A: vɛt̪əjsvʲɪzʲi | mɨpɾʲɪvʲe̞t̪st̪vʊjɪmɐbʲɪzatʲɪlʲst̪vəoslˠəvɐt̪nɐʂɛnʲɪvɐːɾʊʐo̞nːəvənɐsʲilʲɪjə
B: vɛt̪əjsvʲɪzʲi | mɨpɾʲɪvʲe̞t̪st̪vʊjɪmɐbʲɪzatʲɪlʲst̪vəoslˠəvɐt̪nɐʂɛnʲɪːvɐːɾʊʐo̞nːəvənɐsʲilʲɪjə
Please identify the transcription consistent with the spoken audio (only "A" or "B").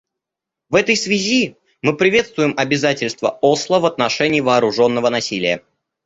B